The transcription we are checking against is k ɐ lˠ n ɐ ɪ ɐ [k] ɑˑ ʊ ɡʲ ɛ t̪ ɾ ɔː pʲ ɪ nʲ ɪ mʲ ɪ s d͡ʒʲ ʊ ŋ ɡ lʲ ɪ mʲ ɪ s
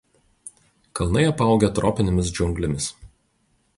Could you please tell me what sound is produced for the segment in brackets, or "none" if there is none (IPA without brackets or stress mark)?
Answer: p